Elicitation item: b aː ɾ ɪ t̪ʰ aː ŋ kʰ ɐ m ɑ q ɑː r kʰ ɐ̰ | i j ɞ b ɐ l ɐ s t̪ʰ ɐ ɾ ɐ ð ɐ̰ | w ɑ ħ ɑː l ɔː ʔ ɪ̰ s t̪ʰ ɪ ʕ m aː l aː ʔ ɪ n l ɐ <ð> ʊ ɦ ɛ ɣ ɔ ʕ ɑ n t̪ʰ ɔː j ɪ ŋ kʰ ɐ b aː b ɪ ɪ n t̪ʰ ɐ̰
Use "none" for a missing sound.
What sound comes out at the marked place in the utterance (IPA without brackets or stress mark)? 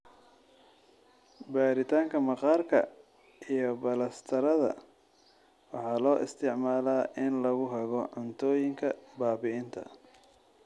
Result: ɣ